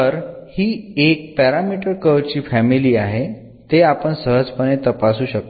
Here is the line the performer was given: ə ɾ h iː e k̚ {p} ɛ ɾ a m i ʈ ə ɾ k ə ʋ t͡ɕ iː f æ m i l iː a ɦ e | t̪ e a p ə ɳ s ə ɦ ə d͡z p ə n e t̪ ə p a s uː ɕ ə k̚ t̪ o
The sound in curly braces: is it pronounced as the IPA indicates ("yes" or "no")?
yes